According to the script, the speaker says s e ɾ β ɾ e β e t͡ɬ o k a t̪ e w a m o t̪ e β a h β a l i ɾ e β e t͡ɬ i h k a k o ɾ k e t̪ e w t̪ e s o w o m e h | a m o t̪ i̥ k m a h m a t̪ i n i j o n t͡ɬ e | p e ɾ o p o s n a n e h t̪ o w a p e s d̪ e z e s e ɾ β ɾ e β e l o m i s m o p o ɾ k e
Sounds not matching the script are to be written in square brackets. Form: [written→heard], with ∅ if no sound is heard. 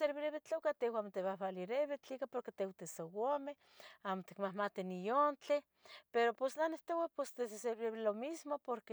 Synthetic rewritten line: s e ɾ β ɾ e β e t͡ɬ o k a t̪ e w a m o t̪ e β a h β a l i ɾ e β e t͡ɬ i [h→∅] k a [k→p] o ɾ k e t̪ e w t̪ e s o w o m e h | a m o t̪ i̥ k m a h m a t̪ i n i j o n t͡ɬ e | p e ɾ o p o s n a n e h t̪ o w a p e s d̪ e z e s e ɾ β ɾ e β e l o m i s m o p o ɾ k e